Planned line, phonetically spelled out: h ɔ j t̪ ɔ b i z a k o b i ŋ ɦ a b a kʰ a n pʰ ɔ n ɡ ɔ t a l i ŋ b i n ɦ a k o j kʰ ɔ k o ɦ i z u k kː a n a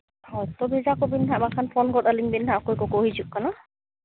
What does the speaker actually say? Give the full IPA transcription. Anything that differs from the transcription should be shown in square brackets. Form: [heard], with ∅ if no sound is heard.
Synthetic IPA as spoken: h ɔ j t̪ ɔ b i z a k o b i [n] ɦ a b a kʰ a n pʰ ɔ n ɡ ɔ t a l i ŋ b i n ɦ a k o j [k] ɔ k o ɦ i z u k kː a n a